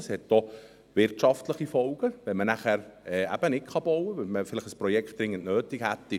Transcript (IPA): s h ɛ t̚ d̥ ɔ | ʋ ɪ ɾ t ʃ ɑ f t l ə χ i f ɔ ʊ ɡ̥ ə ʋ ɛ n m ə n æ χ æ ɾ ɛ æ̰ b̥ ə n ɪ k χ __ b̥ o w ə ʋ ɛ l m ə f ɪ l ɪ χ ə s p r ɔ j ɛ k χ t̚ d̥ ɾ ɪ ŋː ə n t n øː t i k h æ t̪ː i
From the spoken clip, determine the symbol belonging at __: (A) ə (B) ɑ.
B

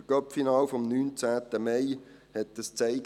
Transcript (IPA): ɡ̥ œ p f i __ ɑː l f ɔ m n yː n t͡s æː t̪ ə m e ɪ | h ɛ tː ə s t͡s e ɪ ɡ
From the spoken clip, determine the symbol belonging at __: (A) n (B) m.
A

